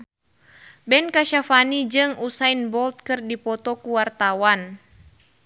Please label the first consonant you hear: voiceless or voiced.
voiced